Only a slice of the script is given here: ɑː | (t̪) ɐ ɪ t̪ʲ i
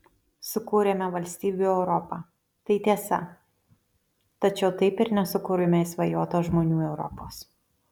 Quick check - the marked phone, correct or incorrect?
correct